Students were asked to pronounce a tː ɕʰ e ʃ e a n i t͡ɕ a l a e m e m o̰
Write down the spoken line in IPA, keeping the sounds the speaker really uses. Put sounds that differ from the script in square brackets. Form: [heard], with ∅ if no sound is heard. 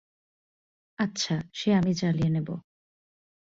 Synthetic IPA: a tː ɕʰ [a] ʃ e a [m] i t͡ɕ a l [i] e [n] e [b] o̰